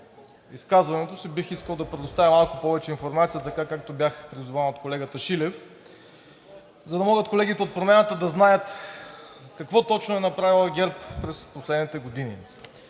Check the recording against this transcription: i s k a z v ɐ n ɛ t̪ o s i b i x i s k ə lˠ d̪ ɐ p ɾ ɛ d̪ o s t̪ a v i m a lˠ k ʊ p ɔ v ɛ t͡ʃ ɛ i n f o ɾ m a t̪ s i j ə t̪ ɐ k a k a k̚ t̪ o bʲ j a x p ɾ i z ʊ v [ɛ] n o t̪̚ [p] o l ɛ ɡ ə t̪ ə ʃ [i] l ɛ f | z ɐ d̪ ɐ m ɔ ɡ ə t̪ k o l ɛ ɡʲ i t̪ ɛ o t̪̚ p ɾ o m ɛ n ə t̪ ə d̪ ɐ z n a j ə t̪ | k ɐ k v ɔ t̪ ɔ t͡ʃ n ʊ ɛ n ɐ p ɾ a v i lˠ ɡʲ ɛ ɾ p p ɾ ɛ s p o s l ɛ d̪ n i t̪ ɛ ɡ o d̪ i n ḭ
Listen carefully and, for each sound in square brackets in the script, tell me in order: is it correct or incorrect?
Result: incorrect, incorrect, correct

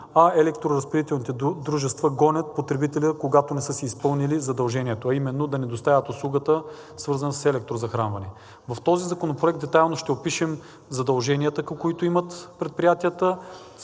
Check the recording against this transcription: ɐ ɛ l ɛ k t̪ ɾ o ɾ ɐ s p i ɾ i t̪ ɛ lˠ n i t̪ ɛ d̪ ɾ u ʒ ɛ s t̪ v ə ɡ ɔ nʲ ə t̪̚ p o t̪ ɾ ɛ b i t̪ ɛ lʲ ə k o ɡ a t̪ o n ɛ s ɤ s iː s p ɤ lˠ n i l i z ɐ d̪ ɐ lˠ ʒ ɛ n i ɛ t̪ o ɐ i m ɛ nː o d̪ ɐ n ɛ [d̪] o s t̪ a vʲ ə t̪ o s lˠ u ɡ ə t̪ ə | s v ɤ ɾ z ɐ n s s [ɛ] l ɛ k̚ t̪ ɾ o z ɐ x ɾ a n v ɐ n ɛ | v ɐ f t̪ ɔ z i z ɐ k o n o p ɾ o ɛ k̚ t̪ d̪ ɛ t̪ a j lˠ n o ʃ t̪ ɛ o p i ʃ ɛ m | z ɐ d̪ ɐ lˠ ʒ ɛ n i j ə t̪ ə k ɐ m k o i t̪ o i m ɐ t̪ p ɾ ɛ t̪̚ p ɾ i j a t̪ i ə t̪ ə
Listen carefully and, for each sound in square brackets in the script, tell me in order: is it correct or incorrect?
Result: correct, correct

